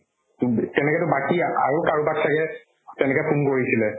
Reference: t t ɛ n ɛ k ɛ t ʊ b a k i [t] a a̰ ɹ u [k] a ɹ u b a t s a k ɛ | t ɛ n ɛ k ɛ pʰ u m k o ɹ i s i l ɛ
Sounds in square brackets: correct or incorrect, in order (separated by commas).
incorrect, correct